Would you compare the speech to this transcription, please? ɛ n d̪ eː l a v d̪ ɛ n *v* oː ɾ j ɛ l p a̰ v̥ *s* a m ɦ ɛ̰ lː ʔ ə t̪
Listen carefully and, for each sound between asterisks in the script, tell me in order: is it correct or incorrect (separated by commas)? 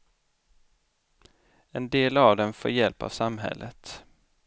incorrect, correct